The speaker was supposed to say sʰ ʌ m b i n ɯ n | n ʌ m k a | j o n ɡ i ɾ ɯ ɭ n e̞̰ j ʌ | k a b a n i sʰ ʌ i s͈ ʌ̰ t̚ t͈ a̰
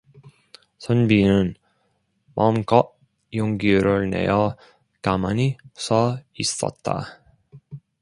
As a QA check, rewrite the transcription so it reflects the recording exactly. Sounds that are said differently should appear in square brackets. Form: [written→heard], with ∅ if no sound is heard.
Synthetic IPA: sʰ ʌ [m→n] b i n ɯ n | [n→m] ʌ m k [a→ʌ] | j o [n→ŋ] ɡ i ɾ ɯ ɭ n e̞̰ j ʌ | k a [b→m] a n i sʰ ʌ i s͈ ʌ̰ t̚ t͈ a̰